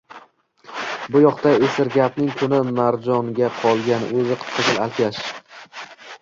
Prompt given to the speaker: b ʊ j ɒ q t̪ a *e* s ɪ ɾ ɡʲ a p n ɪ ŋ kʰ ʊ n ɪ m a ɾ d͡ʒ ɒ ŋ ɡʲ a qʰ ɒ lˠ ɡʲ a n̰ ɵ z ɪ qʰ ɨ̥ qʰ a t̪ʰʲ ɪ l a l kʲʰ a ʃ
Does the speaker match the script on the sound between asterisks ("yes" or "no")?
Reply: yes